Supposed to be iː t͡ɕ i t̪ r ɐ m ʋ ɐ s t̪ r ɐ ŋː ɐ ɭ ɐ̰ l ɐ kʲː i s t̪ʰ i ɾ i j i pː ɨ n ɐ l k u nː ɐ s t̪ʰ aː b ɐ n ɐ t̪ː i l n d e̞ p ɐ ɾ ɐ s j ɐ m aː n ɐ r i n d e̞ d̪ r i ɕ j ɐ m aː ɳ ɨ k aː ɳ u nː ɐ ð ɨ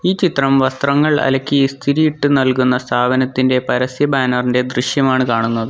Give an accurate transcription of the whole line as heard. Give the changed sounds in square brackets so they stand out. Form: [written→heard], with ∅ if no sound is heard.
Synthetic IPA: iː t͡ɕ i t̪ r ɐ m ʋ ɐ s t̪ r ɐ ŋː ɐ ɭ ɐ̰ l ɐ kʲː i s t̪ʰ i ɾ i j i [pː→ʈː] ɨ n ɐ l k u nː ɐ s t̪ʰ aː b ɐ n ɐ t̪ː i [l→∅] n d e̞ p ɐ ɾ ɐ s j ɐ [m→b] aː n ɐ r i n d e̞ d̪ r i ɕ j ɐ m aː ɳ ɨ k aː ɳ u nː ɐ ð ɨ